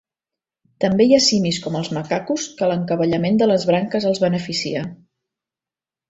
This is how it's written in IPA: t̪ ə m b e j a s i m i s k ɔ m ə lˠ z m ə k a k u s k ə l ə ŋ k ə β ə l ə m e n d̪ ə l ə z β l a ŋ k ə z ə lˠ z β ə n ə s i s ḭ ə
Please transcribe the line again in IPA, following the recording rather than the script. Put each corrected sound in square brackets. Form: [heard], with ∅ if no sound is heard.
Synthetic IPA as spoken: t̪ ə m b e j a s i m i s k ɔ m ə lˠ z m ə k a k u s k ə l ə ŋ k ə β ə [ʎ] ə m e n d̪ ə l ə z β [ɾ] a ŋ k ə z ə lˠ z β ə n ə [f] i s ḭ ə